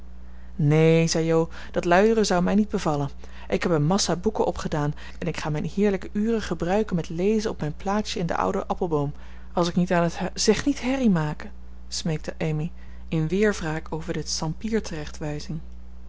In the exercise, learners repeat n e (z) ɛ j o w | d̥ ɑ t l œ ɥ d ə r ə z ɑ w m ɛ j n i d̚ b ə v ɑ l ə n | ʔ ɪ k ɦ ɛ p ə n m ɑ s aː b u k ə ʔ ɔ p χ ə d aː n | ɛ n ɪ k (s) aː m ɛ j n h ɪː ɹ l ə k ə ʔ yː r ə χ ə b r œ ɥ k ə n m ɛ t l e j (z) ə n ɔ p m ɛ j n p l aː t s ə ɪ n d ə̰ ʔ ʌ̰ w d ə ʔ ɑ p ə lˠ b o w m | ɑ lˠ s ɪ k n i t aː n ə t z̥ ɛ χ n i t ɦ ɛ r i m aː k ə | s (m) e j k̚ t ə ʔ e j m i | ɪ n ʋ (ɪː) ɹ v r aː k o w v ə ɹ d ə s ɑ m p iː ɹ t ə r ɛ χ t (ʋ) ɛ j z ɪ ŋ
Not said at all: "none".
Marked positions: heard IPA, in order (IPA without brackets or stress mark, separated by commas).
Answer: z, χ, z, m, ɪː, ʋ